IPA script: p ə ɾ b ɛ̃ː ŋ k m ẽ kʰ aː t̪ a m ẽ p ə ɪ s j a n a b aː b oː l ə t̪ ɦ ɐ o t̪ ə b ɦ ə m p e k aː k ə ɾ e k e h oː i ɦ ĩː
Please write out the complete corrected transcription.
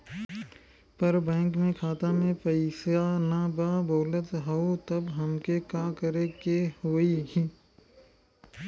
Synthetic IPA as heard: p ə ɾ b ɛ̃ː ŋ k m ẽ kʰ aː t̪ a m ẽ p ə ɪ s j a n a b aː b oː l ə t̪ ɦ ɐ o t̪ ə b ɦ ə m k e k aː k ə ɾ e k e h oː i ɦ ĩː